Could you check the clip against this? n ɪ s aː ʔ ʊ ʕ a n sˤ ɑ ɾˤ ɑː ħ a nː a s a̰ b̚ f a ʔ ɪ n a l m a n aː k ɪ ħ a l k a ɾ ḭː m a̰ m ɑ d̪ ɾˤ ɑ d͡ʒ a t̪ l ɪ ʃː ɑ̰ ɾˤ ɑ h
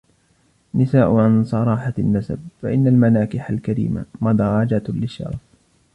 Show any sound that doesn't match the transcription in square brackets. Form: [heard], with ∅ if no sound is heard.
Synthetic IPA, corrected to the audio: n ɪ s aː ʔ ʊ ʕ a n sˤ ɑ ɾˤ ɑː ħ a nː a s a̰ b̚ f a ʔ ɪ [nː] a l m a n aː k ɪ ħ a l k a ɾ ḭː m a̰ m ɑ d̪ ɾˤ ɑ d͡ʒ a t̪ l ɪ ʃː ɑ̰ ɾˤ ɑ [f]